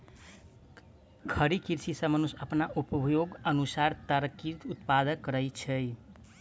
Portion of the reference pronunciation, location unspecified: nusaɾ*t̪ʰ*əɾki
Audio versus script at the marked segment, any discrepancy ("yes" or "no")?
yes